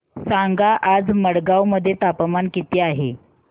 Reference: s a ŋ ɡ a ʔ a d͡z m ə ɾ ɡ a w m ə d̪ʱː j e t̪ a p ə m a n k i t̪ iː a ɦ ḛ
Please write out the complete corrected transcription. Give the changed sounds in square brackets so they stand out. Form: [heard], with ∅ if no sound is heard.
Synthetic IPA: s a ŋ ɡ a ʔ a d͡z m ə [ɽ] ɡ a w m ə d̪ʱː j e t̪ a p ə m a n k i t̪ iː a ɦ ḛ